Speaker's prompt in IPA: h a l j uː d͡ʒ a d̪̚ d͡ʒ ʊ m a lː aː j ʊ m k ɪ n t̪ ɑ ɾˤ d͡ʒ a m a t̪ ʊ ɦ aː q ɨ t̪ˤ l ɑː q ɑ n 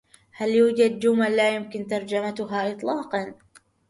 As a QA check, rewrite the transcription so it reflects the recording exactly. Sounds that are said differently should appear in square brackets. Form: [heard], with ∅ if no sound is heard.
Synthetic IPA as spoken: h a l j uː d͡ʒ a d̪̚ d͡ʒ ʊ m a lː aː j ʊ m k ɪ n t̪ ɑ ɾˤ d͡ʒ a m a t̪ ʊ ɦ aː [ʔ] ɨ t̪ˤ l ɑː q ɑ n